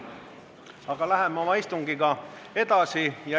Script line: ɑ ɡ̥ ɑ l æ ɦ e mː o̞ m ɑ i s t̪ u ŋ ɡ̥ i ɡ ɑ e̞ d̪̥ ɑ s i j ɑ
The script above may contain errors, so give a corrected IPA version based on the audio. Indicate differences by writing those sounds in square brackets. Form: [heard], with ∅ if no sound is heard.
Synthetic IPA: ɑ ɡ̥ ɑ l æ ɦ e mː o̞ m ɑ i s t̪ u ŋ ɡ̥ i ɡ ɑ e̞ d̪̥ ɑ s i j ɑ